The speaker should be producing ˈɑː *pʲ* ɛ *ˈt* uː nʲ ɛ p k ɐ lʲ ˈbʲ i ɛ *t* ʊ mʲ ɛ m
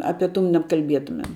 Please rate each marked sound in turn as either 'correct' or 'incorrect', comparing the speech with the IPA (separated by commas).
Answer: correct, correct, correct